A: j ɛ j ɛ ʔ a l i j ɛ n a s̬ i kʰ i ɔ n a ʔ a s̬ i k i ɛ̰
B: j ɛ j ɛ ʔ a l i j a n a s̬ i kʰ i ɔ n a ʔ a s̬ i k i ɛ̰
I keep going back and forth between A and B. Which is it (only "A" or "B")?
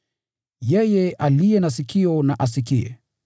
A